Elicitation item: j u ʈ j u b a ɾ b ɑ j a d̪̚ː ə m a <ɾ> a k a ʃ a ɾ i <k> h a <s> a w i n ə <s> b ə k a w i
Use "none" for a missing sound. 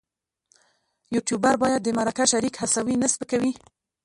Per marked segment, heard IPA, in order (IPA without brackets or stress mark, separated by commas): ɾ, k, s, s